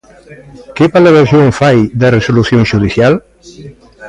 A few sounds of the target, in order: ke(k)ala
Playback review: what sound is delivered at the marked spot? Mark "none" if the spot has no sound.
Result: p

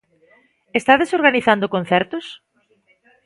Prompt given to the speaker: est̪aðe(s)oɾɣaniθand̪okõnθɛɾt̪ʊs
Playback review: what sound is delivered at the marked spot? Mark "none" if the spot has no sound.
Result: s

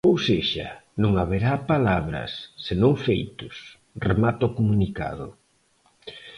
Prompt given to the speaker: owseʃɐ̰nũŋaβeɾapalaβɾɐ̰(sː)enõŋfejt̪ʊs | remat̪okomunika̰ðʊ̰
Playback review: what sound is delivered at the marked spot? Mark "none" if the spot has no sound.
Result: sː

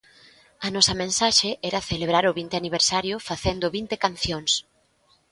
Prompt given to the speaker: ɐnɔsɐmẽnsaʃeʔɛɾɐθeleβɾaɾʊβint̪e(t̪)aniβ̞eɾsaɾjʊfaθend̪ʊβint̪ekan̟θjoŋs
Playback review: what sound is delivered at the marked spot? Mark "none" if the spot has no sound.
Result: none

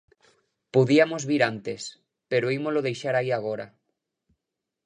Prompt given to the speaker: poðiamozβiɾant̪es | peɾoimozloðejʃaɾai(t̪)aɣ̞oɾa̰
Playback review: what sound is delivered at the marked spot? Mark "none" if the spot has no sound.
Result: none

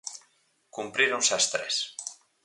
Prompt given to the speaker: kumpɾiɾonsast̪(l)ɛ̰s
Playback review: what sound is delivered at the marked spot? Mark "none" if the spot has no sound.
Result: ɾ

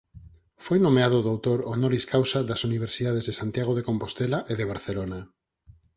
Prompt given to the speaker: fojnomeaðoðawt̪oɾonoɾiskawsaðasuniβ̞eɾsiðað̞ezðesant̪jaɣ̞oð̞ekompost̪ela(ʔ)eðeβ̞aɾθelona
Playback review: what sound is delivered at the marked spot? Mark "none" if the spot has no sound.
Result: ʔ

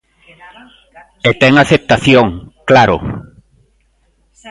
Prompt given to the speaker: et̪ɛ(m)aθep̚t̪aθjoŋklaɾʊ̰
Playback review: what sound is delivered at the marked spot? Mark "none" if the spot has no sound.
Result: ŋ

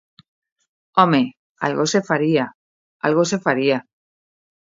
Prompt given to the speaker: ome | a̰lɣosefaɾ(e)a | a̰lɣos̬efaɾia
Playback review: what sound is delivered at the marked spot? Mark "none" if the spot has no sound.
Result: i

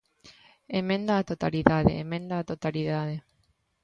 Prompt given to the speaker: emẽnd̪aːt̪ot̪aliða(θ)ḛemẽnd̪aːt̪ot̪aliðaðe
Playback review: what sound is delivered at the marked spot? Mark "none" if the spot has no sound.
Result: ð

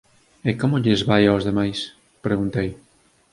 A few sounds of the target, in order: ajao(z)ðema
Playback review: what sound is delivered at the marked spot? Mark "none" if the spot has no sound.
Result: z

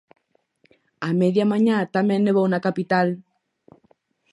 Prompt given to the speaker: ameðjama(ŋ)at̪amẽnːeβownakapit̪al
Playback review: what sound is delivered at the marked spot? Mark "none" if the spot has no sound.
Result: ɲ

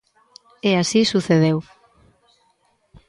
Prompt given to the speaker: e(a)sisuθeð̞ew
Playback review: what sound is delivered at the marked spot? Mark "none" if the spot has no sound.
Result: a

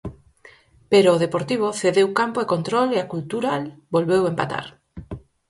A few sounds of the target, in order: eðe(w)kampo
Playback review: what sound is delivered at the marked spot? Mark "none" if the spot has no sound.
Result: w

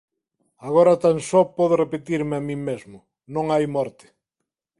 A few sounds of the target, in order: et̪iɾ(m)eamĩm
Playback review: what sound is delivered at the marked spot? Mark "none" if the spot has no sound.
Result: m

